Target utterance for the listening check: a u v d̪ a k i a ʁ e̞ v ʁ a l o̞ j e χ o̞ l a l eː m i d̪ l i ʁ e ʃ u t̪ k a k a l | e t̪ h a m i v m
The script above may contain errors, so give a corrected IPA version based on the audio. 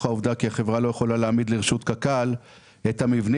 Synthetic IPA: a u v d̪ a k i a χ e̞ v ʁ a l o̞ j e χ o̞ l a l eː m i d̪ l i ʁ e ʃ u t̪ k a k a l | e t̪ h a m i v n